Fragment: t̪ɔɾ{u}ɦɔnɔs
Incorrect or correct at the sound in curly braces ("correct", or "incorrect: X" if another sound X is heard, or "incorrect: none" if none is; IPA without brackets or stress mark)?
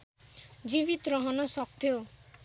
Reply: incorrect: ɔ